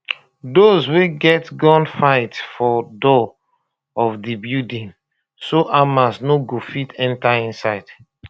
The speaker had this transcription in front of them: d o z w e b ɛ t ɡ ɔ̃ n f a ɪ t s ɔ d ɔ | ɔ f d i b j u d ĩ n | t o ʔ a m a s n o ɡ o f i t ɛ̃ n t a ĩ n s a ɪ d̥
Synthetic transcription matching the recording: d o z w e ɡ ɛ t ɡ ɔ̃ n f a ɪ t f ɔ d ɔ | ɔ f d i b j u d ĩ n | s o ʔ a m a s n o ɡ o f i t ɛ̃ n t a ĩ n s a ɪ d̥